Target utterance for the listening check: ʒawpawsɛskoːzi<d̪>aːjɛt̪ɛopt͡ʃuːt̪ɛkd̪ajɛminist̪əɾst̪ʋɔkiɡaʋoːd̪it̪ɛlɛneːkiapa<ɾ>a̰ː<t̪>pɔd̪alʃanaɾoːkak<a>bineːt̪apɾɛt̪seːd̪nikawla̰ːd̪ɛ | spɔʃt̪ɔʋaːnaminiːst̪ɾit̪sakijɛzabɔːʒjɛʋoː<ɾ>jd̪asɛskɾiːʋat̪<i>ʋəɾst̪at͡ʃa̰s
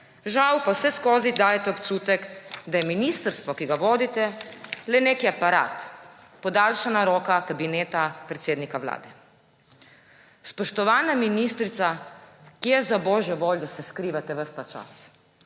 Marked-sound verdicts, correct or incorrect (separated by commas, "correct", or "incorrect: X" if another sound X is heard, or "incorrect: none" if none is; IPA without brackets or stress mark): correct, correct, correct, correct, incorrect: l, incorrect: ɛ